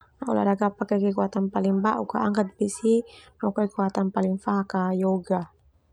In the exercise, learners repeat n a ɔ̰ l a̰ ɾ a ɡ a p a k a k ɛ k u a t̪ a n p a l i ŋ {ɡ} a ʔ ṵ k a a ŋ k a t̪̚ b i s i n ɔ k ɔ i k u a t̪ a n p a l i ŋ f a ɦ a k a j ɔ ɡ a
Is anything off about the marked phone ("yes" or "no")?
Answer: yes